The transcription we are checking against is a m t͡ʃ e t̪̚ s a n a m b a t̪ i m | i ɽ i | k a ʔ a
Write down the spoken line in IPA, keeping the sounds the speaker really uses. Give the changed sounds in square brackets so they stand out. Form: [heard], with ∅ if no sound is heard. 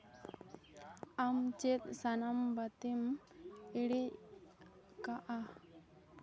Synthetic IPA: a m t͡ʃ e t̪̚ s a n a m b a t̪ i m | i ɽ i | k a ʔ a